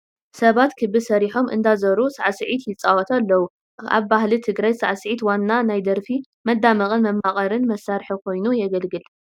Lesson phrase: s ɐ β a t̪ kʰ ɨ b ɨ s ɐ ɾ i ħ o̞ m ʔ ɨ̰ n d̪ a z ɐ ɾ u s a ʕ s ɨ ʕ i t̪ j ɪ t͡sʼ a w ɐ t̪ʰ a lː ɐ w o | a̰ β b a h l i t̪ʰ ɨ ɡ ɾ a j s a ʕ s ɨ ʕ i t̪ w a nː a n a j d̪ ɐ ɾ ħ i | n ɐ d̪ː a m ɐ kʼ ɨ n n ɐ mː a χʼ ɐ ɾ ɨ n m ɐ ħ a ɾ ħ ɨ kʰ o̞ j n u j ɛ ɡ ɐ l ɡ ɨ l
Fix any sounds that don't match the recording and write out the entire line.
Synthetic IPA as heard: s ɐ β a t̪ kʰ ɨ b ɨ s ɐ ɾ i ħ o̞ m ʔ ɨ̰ n d̪ a z ɐ ɾ u s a ʕ s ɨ ʕ i t̪ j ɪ t͡sʼ a w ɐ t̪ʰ a lː ɐ w u | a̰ β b a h l i t̪ʰ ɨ ɡ ɾ a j s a ʕ s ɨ ʕ i t̪ w a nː a n a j d̪ ɐ ɾ f i | m ɐ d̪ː a m ɐ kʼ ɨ n m ɐ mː a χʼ ɐ ɾ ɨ n m ɐ s a ɾ ħ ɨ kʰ o̞ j n u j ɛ ɡ ɐ l ɡ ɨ l

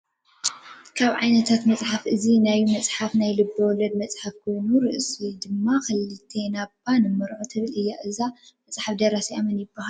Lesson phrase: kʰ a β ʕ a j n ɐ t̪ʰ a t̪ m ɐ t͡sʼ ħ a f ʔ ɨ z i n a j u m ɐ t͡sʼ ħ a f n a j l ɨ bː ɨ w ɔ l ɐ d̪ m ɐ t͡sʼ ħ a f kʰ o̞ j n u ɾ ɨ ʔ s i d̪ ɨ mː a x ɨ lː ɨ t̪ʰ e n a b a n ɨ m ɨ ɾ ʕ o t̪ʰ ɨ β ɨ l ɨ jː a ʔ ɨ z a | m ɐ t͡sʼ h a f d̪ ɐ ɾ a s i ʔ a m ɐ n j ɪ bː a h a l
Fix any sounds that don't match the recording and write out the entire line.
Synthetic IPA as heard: kʰ a β ʕ a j n ɐ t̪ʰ a t̪ m ɐ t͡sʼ ħ a f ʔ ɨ z i n a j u m ɐ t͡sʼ ħ a f n a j l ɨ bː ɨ w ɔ l ɐ d̪ m ɐ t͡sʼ ħ a f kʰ o̞ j n u ɾ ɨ ʔ s i d̪ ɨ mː a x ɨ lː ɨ t̪ʰ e n a b a n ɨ m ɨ ɾ ʕ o t̪ʰ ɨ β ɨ l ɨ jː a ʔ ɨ z a | m ɐ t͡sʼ ħ a f d̪ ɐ ɾ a s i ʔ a m ɐ n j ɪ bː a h a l

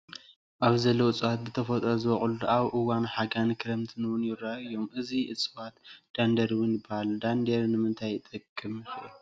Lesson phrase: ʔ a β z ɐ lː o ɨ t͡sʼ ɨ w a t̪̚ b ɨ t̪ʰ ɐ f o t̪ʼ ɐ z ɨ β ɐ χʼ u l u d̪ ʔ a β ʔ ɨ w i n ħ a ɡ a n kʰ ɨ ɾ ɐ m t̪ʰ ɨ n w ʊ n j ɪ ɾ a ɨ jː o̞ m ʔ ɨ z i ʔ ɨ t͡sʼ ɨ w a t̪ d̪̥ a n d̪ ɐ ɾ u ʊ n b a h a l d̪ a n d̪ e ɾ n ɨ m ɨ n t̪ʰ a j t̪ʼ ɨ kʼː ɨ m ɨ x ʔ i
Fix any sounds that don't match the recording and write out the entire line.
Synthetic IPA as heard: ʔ a β z ɐ lː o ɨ t͡sʼ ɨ w a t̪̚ b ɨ t̪ʰ ɐ f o t̪ʼ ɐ z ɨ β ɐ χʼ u l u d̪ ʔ a β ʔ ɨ w a n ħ a ɡ a n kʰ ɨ ɾ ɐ m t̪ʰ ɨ n w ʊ n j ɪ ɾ a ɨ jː o̞ m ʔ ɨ z i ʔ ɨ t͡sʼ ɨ w a t̪ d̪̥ a n d̪ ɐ ɾ w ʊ n b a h a l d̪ a n d̪ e ɾ n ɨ m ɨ n t̪ʰ a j t̪ʼ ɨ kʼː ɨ m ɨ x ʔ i

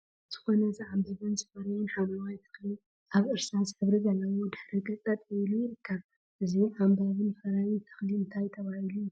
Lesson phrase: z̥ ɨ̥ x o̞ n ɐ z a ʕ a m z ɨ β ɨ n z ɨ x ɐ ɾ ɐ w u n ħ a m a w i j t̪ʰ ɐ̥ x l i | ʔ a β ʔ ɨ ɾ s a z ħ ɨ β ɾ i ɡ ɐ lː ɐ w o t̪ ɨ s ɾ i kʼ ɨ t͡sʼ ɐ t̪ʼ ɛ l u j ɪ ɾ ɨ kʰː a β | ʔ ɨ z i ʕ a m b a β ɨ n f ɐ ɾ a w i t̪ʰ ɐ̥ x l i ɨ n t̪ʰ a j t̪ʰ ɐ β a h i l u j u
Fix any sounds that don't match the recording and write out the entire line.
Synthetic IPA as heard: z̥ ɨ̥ x o̞ n ɐ z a ʕ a m z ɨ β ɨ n z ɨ f ɐ ɾ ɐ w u n ħ a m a w a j t̪ʰ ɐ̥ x l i | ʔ a β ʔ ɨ ɾ s a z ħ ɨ β ɾ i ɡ ɐ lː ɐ w o d̪ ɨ ħ ɾ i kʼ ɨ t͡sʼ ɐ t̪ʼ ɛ l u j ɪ ɾ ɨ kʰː a β | ʔ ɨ z i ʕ a m b a β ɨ n f ɐ ɾ a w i t̪ʰ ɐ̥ x l i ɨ n t̪ʰ a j t̪ʰ ɐ β a h i l u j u

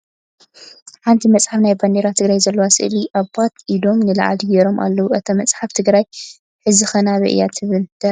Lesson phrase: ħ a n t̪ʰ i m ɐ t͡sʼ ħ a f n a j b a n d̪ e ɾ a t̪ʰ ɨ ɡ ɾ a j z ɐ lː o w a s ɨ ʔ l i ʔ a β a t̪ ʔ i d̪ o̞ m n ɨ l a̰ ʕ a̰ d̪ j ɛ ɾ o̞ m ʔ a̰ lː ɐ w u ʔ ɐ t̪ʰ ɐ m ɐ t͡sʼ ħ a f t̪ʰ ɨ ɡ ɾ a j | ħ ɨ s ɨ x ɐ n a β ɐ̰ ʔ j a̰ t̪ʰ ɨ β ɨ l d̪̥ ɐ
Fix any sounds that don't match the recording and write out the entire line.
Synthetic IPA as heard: ħ a n t̪ʰ i m ɐ t͡sʼ ħ a f n a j b a n d̪ e ɾ a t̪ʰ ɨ ɡ ɾ a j z ɐ lː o w a s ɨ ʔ l i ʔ a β a t̪ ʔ i d̪ o̞ m n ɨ l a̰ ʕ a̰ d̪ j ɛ ɾ o̞ m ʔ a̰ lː ɐ w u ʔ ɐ t̪ʰ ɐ m ɐ t͡sʼ ħ a f t̪ʰ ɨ ɡ ɾ a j | ħ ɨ z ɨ x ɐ n a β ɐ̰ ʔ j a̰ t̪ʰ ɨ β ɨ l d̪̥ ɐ

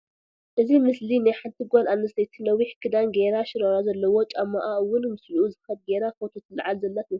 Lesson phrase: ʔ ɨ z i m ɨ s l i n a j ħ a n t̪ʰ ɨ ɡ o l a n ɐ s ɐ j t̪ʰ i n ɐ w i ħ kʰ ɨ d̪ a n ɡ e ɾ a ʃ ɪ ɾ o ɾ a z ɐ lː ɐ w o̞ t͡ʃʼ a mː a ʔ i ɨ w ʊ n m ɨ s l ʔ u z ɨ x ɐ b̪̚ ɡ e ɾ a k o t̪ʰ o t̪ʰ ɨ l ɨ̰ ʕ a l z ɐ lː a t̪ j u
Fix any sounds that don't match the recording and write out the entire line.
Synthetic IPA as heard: ʔ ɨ z i m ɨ s l i n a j ħ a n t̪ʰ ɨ ɡ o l a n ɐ s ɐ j t̪ʰ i n ɐ w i ħ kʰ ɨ d̪ a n ɡ e ɾ a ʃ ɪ ɾ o ɾ a z ɐ lː ɐ w o̞ t͡ʃʼ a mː a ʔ a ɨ w ʊ n m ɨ s l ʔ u z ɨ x ɐ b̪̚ ɡ e ɾ a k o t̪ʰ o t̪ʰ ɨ l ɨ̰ ʕ a l z ɐ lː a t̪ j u

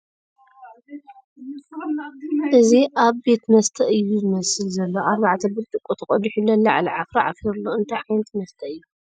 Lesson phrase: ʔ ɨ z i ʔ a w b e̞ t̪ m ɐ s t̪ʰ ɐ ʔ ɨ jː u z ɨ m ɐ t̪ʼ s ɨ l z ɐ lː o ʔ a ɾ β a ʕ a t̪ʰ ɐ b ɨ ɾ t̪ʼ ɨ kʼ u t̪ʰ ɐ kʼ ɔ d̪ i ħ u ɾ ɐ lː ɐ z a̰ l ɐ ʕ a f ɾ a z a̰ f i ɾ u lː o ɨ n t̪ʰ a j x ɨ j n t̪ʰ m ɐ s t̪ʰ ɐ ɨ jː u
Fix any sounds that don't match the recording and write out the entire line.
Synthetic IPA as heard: ʔ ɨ z i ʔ a β b e̞ t̪ m ɐ s t̪ʰ ɐ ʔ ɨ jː u z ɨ m ɐ s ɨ l z ɐ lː o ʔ a ɾ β a ʕ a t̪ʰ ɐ b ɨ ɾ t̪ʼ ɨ kʼ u t̪ʰ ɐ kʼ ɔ d̪ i ħ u l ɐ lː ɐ ʕ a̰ l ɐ ʕ a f ɾ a ʕ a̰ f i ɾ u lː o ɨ n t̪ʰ a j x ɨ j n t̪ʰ m ɐ s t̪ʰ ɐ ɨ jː u

